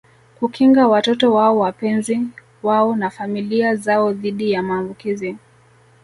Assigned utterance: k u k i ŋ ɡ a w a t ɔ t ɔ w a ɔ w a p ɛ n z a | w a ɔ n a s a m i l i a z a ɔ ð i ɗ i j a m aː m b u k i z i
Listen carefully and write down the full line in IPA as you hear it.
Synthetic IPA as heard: k u k i ŋ ɡ a w a t ɔ t ɔ w a ɔ w a p ɛ n z i | w a ɔ n a f a m i l i a z a ɔ ð i ɗ i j a m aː m b u k i z i